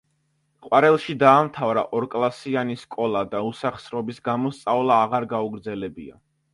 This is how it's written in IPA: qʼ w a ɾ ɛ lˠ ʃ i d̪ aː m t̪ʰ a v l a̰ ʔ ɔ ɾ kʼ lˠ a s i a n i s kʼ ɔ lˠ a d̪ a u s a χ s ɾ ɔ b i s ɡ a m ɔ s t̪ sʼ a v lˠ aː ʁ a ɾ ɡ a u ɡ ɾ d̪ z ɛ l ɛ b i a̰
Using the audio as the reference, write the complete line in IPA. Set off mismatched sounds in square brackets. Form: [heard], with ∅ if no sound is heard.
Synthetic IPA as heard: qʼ w a ɾ ɛ lˠ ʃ i d̪ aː m t̪ʰ a v [ɾ] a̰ ʔ ɔ ɾ kʼ lˠ a s i a n i s kʼ ɔ lˠ a d̪ a u s a χ s ɾ ɔ b i s ɡ a m ɔ s t̪ sʼ a v lˠ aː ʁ a ɾ ɡ a u ɡ ɾ d̪ z ɛ l ɛ b i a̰